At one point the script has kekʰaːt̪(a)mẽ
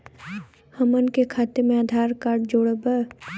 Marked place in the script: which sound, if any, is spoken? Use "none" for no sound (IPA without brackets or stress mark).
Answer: e